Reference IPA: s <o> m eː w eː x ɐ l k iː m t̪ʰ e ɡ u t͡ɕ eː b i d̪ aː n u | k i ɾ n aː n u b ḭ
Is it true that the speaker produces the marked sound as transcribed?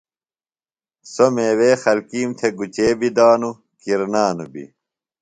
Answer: yes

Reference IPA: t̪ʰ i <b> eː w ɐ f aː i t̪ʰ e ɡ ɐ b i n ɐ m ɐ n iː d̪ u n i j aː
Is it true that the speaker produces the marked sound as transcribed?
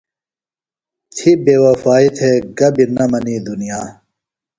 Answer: yes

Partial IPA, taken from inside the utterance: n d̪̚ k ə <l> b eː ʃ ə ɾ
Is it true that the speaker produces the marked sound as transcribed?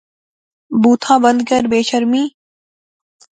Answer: no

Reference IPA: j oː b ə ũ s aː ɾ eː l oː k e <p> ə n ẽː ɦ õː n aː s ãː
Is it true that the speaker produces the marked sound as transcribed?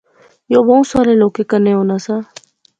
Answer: no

